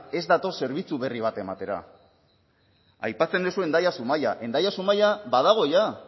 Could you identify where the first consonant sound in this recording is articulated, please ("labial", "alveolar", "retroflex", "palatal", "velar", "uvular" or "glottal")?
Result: alveolar